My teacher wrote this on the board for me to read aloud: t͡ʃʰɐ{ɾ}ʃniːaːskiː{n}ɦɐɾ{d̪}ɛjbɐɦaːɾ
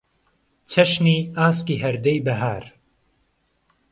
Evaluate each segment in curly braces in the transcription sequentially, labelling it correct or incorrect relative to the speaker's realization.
incorrect: none, incorrect: none, correct

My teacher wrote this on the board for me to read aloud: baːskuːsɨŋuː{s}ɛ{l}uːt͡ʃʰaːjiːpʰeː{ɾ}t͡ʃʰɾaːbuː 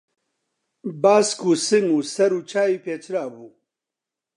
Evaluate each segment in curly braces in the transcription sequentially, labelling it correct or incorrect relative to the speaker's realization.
correct, incorrect: ɾ, incorrect: none

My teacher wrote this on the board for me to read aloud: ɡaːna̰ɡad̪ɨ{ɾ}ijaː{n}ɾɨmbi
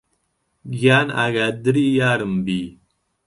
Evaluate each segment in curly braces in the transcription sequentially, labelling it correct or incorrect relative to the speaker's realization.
correct, incorrect: none

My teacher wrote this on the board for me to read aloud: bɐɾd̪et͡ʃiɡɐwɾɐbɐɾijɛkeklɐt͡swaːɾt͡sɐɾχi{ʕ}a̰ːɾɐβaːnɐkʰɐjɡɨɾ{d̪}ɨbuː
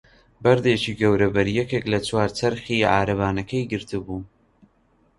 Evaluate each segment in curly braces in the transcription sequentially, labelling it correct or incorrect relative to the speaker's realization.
correct, incorrect: t̪

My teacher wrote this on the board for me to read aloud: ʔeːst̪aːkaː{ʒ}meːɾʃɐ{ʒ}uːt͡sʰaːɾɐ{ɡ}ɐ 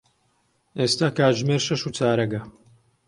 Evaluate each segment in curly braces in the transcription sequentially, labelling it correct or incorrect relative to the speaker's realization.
correct, incorrect: ʃ, correct

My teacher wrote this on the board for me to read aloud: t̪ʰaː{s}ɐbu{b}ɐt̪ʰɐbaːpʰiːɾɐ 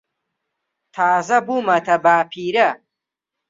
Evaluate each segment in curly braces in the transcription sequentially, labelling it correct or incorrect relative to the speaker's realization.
incorrect: z, incorrect: m

